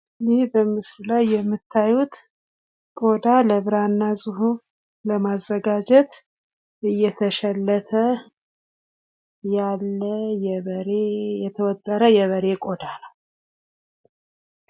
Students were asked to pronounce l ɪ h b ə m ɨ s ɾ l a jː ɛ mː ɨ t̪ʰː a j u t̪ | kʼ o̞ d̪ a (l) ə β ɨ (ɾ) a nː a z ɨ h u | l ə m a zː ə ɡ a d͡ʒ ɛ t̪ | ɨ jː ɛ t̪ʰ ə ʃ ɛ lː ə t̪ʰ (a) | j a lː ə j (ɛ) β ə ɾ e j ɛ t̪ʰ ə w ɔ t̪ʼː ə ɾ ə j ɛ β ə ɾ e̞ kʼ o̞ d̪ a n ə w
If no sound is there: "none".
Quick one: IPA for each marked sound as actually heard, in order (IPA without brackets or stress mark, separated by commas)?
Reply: l, ɾ, ə, ɛ